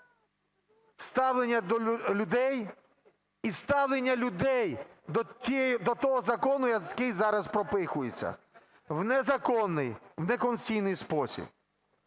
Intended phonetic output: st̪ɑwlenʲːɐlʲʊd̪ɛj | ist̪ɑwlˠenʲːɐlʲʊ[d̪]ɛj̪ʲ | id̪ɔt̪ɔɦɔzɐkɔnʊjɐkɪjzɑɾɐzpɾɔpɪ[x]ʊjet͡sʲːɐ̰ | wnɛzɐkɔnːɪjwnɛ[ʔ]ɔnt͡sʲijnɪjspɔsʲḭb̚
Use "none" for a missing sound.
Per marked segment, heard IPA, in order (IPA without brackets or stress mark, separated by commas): d̪, x, k